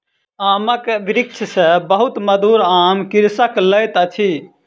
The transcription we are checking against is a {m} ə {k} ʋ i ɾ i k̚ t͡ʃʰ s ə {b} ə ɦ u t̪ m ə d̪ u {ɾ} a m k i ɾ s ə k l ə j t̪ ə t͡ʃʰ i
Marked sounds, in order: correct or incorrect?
correct, correct, correct, correct

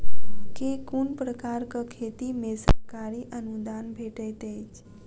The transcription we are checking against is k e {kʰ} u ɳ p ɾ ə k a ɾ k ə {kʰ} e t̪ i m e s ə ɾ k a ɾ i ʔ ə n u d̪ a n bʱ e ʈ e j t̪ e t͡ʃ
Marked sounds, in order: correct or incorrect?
incorrect, correct

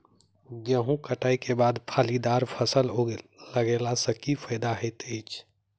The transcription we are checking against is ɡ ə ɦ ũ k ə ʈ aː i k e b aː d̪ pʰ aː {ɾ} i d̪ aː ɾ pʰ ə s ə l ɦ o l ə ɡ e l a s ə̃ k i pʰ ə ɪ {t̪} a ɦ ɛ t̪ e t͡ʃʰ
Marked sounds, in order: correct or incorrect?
incorrect, incorrect

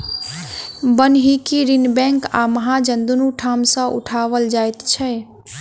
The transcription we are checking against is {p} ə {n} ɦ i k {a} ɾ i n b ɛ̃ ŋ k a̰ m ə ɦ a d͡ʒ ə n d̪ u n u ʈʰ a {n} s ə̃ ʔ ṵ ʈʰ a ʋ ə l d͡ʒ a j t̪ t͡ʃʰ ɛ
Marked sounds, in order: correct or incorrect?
incorrect, correct, incorrect, incorrect

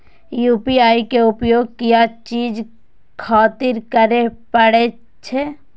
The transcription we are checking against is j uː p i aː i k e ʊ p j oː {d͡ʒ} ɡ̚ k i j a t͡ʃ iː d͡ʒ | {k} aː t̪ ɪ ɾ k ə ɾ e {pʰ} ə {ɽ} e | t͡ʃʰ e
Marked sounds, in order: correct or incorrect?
incorrect, incorrect, incorrect, correct

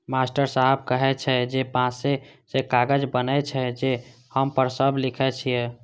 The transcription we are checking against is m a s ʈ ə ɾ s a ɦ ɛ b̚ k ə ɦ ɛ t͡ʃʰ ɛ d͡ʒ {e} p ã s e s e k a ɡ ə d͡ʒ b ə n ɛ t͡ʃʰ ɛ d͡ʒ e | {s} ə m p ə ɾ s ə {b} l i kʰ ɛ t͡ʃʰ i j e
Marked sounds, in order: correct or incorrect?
correct, incorrect, correct

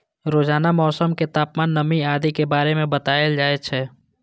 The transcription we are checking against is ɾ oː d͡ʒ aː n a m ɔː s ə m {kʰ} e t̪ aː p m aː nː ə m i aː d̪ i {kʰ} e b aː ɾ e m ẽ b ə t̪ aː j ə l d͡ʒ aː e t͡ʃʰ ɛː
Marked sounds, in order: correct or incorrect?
incorrect, incorrect

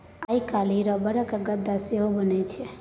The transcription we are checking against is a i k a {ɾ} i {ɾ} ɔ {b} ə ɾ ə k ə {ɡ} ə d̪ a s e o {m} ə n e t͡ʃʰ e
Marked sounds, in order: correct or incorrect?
incorrect, correct, correct, correct, incorrect

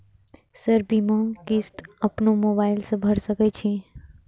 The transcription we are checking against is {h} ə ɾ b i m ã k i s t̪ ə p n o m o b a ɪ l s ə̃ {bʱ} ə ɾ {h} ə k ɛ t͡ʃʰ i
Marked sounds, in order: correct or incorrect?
incorrect, correct, incorrect

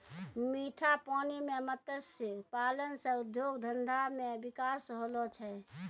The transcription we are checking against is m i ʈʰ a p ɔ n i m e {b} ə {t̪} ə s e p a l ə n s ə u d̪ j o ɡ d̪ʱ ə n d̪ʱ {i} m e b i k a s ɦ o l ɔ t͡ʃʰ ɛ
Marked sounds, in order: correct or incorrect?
incorrect, correct, incorrect

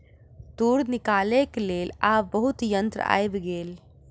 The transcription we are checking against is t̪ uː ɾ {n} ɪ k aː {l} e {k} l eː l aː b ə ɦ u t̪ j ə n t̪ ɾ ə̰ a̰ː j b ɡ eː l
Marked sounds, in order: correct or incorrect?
correct, correct, correct

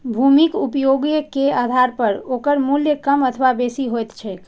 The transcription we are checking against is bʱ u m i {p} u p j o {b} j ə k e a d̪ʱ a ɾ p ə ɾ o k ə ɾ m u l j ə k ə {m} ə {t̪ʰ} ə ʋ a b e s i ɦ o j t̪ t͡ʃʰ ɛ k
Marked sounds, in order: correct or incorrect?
incorrect, incorrect, correct, correct

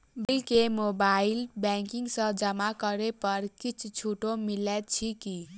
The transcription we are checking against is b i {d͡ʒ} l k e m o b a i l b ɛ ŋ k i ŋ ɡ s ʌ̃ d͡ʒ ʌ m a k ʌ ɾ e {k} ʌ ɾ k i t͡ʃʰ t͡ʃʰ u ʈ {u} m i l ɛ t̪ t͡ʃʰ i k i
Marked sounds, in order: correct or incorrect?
incorrect, incorrect, incorrect

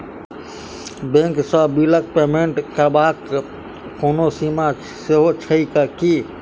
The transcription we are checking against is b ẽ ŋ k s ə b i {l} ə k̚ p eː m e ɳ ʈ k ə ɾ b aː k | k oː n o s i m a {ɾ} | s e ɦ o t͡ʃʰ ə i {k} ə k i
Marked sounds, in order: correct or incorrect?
correct, incorrect, correct

